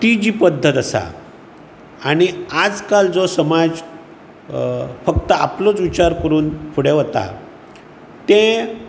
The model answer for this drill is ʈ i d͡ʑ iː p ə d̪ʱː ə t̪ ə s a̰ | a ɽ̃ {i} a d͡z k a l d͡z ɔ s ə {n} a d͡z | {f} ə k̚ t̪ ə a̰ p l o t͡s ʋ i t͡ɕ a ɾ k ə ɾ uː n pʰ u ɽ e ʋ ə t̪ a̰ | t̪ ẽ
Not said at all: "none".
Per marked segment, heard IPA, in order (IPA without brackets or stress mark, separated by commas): i, m, f